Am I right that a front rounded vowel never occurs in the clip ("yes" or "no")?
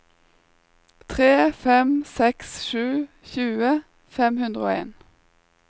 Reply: yes